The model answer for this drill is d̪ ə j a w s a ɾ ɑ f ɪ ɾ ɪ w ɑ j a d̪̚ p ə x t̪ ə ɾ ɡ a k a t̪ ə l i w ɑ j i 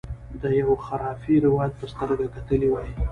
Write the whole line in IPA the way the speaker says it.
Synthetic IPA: d̪ ə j a w x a ɾ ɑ f i ɾ ɪ w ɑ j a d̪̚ p ə s t̪ ə ɾ ɡ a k a t̪ ə l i w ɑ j i